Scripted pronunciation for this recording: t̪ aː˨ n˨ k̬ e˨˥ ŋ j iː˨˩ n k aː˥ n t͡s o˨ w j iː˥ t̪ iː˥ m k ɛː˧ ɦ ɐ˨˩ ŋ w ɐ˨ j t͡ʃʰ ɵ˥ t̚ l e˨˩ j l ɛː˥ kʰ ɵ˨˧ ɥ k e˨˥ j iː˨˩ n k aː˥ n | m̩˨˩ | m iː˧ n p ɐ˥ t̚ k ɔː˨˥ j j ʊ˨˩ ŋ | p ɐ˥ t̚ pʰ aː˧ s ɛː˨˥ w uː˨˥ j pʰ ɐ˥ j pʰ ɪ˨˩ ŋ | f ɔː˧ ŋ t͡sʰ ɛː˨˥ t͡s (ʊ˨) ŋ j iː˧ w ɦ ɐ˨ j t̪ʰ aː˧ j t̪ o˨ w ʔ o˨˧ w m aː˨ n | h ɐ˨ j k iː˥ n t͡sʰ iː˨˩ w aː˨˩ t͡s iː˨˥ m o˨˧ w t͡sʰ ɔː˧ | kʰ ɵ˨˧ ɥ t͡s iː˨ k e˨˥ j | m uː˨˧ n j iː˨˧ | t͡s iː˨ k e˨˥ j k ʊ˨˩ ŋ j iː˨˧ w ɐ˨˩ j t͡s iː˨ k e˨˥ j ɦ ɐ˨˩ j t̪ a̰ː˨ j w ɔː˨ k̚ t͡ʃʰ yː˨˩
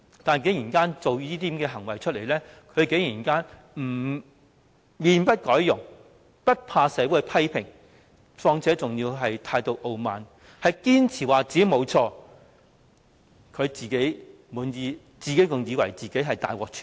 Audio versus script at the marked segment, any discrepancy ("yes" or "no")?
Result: no